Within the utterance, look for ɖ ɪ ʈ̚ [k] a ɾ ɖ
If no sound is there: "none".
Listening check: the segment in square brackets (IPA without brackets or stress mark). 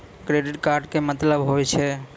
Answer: k